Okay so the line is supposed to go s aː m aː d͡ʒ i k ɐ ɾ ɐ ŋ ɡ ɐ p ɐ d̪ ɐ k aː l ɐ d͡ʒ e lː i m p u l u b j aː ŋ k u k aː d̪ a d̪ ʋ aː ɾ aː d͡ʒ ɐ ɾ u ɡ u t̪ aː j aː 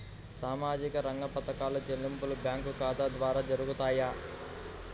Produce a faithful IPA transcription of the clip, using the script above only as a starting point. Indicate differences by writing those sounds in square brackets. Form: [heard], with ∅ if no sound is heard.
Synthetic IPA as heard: s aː m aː d͡ʒ i k ɐ ɾ ɐ ŋ ɡ ɐ p ɐ [t̪] ɐ k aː l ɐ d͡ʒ e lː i m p u l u b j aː ŋ k u k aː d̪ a d̪ ʋ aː ɾ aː d͡ʒ ɐ ɾ u ɡ u t̪ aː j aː